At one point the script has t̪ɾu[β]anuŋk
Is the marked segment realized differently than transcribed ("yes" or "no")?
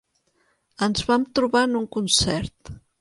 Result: no